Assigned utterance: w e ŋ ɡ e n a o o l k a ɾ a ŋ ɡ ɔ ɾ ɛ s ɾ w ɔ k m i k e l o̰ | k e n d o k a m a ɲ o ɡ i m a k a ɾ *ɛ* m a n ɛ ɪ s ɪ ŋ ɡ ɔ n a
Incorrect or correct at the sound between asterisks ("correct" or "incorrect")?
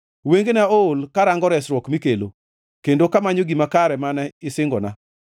correct